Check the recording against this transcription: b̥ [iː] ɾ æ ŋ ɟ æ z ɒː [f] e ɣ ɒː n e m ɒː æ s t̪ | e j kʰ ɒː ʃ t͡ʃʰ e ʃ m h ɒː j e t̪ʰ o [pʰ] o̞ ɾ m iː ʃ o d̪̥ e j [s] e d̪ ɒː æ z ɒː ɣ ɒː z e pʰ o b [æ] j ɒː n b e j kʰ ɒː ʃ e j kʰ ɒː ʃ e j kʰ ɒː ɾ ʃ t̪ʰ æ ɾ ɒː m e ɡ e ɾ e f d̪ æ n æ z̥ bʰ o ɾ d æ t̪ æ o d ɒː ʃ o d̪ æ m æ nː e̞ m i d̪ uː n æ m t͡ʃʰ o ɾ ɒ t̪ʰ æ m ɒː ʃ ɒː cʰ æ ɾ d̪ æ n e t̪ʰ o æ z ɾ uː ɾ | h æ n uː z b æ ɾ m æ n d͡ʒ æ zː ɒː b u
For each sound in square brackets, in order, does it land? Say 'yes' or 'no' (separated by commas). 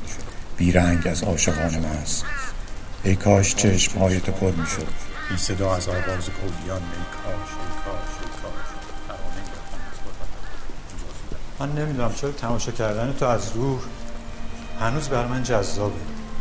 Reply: yes, no, yes, yes, no